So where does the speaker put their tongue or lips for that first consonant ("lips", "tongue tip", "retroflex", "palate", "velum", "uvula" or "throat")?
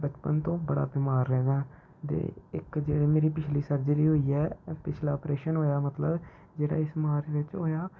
lips